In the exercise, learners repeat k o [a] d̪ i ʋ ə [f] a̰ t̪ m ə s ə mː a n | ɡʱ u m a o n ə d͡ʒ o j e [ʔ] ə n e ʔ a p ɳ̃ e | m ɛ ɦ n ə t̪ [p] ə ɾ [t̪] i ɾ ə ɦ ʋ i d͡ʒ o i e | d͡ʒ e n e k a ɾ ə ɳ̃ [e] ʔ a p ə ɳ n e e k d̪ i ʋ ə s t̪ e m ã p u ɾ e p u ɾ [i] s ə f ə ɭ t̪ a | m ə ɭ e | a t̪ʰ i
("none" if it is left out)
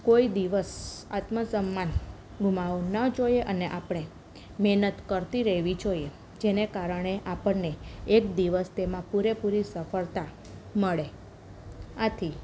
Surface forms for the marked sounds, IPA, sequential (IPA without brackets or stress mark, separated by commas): i, s, ʔ, k, t̪, e, i